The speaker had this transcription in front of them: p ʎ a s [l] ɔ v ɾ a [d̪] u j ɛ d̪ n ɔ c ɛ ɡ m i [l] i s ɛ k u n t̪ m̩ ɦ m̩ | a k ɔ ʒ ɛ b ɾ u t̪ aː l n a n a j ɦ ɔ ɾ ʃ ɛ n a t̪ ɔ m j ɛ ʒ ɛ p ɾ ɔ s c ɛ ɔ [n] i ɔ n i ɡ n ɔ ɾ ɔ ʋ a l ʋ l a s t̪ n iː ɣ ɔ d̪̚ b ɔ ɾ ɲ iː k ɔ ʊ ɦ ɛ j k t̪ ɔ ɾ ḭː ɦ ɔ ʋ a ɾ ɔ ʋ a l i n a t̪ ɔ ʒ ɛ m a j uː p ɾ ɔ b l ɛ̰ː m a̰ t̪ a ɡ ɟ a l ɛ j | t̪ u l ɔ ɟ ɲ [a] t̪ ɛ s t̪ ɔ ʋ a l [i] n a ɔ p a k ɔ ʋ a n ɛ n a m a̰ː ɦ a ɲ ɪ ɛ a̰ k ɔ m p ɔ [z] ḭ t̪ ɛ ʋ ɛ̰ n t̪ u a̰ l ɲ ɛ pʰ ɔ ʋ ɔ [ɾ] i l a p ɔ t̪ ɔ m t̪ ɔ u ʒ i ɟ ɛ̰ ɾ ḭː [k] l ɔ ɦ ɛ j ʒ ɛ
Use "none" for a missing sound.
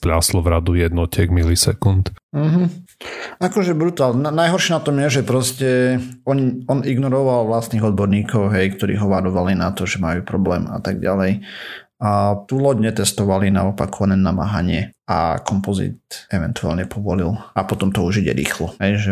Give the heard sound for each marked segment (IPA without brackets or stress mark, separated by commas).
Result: l, d̪, l, ɲ, ɛ, i, z, l, x